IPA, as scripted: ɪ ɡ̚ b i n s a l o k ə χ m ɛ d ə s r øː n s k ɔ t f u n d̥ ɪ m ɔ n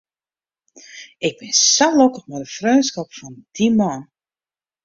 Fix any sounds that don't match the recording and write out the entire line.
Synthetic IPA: ɪ ɡ̚ b ɪ n s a l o k ə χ m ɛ d ə f r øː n s k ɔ p f ɔ n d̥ i m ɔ n